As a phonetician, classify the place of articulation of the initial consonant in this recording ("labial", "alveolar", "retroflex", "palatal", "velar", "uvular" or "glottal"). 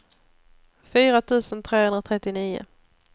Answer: labial